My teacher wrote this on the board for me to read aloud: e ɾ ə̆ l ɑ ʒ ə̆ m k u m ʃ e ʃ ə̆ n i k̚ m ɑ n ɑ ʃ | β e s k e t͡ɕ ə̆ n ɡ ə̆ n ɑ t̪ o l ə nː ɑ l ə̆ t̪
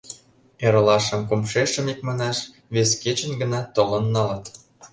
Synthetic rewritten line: e ɾ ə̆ l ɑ ʃ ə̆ m k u m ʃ e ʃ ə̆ m i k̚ m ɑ n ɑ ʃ | β e s k e t͡ɕ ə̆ n ɡ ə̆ n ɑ t̪ o l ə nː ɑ l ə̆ t̪